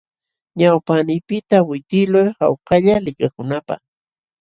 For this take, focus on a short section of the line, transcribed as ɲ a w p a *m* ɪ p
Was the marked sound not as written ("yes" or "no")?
yes